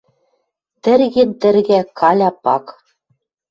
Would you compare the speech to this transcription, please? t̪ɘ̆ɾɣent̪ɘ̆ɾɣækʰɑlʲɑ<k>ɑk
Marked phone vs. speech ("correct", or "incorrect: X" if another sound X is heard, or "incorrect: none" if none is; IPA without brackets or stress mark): incorrect: p